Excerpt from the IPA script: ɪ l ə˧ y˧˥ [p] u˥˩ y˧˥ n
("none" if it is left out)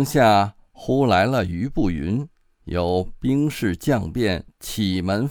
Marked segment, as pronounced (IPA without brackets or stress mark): p